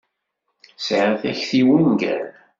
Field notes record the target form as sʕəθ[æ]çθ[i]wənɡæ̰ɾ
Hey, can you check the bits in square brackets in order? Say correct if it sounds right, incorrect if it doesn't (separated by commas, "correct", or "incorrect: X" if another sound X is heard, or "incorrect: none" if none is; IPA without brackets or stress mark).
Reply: correct, correct